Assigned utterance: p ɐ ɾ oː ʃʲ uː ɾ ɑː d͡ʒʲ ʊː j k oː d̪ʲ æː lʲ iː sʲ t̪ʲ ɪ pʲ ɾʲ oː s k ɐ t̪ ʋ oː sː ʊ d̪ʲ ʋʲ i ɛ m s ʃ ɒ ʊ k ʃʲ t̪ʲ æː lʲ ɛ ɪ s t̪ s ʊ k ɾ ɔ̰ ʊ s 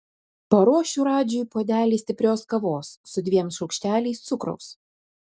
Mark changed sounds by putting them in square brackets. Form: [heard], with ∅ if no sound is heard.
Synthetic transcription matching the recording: p ɐ ɾ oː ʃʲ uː ɾ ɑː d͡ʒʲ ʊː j [p] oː d̪ʲ æː lʲ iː sʲ t̪ʲ ɪ pʲ ɾʲ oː s k ɐ [∅] ʋ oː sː ʊ d̪ʲ ʋʲ i ɛ m s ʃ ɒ ʊ k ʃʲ t̪ʲ æː lʲ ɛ ɪ s t̪ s ʊ k ɾ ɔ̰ ʊ s